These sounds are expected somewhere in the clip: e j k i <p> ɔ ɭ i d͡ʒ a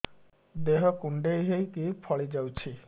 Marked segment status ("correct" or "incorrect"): incorrect